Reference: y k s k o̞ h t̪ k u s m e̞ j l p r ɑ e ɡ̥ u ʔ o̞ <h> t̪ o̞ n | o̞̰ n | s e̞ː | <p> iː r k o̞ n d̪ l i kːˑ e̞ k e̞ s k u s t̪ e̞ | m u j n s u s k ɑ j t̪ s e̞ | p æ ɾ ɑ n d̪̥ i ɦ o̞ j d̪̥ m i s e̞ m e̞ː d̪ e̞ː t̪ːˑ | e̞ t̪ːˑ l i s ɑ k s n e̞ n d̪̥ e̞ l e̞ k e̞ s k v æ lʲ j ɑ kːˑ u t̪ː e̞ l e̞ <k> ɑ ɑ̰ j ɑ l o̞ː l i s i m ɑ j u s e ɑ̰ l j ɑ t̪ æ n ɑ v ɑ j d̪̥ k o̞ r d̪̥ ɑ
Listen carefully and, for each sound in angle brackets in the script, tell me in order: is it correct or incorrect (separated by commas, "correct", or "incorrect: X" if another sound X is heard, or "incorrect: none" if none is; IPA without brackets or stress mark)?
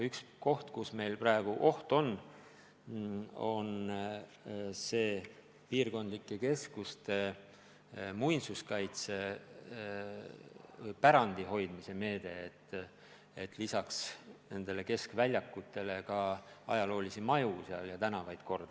correct, correct, correct